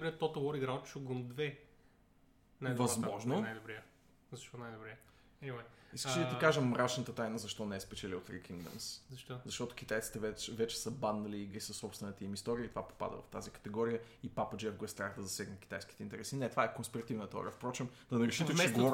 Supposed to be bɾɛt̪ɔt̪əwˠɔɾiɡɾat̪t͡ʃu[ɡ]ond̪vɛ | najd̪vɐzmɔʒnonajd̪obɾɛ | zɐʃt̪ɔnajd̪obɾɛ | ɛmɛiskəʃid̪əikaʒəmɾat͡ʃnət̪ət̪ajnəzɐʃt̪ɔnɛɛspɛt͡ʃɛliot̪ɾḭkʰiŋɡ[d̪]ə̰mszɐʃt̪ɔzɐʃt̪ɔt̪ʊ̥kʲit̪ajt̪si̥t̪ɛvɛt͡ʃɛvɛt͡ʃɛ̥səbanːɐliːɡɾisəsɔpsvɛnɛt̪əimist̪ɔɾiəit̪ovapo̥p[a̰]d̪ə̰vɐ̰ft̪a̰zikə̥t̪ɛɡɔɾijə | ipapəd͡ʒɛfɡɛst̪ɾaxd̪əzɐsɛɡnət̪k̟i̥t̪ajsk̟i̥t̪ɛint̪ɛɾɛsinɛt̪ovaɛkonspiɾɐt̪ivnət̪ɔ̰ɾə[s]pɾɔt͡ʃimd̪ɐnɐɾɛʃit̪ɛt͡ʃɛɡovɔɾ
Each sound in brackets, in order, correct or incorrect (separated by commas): correct, correct, correct, incorrect